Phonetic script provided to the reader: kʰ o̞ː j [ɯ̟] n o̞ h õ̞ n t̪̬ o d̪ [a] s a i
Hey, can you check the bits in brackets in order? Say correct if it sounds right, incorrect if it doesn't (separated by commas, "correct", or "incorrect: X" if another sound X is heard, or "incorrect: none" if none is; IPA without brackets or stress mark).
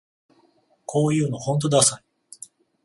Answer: incorrect: ɯ̟ː, correct